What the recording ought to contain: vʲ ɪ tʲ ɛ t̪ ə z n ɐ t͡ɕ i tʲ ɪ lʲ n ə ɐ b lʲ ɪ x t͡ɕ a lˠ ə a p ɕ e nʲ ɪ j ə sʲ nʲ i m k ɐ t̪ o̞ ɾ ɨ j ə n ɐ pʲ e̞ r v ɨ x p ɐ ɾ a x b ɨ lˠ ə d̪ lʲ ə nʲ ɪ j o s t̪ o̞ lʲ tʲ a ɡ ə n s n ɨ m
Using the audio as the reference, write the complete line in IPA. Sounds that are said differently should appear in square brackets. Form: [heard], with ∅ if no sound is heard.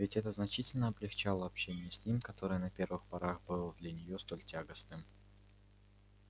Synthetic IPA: vʲ ɪ tʲ ɛ t̪ ə z n ɐ t͡ɕ i tʲ ɪ lʲ n ə ɐ b lʲ ɪ x t͡ɕ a lˠ ə [ɐ] p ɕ e nʲ ɪ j ə sʲ nʲ i m k ɐ t̪ o̞ ɾ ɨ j ə n ɐ pʲ e̞ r v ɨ x p ɐ ɾ a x b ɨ lˠ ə d̪ lʲ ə nʲ ɪ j o s t̪ o̞ lʲ tʲ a ɡ ə [∅] s n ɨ m